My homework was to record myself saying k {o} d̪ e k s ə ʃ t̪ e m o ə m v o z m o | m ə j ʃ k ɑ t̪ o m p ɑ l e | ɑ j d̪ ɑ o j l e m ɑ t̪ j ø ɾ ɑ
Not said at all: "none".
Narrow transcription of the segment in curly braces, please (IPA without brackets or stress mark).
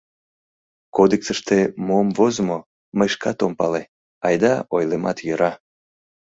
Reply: o